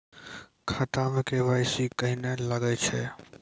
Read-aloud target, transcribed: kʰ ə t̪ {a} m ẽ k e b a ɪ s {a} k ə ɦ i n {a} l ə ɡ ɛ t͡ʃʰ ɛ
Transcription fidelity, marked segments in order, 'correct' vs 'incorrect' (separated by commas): correct, incorrect, incorrect